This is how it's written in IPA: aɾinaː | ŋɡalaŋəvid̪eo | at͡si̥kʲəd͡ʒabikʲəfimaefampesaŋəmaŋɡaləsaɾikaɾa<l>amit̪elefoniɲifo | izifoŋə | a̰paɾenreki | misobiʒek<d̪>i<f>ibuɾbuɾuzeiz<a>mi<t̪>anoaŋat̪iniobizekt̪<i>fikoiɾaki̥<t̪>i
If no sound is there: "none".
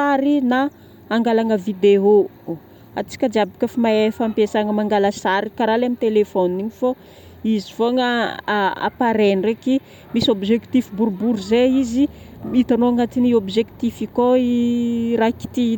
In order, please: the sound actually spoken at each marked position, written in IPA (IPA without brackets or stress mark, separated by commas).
l, t̪, f, i, t̪, i, t̪